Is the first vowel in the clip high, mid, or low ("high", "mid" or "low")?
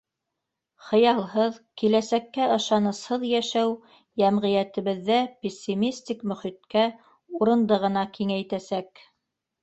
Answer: mid